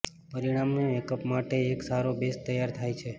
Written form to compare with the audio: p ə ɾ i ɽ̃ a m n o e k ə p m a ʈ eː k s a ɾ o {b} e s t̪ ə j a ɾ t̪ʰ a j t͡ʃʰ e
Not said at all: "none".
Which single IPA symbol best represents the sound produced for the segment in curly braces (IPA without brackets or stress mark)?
b